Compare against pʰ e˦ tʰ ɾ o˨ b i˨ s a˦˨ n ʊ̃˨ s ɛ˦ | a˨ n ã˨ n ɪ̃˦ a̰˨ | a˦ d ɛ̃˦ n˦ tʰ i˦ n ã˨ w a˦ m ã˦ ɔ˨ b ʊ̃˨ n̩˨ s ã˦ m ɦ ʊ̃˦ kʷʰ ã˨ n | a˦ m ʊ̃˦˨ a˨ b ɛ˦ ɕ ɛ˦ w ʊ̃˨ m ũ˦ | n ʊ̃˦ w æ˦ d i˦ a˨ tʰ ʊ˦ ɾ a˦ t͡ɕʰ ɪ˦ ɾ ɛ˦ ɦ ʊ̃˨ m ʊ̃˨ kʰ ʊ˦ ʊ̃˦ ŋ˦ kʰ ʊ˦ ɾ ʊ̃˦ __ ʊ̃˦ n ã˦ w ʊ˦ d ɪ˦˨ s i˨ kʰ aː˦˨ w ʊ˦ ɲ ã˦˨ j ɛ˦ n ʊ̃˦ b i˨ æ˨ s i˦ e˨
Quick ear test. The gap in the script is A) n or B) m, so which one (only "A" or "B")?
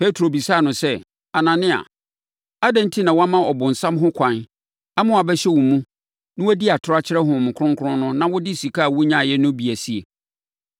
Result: A